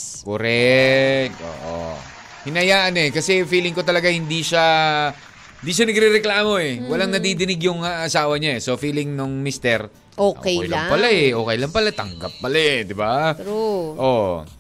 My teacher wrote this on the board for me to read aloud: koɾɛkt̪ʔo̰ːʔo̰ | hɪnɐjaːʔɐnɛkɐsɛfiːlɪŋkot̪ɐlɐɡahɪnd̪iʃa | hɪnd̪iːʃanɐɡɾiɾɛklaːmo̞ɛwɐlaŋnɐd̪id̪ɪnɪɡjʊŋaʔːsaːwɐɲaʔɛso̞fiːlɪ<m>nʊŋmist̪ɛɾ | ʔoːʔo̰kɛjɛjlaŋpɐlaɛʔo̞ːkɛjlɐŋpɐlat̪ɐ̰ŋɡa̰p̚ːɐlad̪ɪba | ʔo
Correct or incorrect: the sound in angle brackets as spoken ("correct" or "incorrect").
incorrect